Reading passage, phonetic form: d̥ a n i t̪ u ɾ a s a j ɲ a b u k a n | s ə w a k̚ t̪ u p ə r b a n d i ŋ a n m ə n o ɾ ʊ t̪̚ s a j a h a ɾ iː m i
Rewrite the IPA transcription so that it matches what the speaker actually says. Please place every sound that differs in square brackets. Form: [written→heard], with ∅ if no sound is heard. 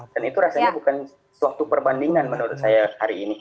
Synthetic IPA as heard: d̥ a n i t̪ u ɾ a s a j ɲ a b u k a n | s ə w a k̚ t̪ u p ə r b a n d i ŋ a n m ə n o ɾ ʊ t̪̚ s a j a h a ɾ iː [m→n] i